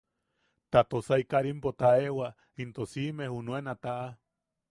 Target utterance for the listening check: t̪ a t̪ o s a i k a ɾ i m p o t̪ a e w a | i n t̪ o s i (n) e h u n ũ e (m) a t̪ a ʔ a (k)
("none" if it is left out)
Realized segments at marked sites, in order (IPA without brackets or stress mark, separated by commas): m, n, none